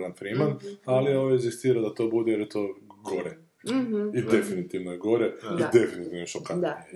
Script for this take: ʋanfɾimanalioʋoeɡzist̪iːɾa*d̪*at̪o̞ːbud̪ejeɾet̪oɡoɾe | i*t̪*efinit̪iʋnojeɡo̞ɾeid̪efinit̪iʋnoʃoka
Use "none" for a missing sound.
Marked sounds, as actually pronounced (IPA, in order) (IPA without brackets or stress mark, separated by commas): d̪, d̪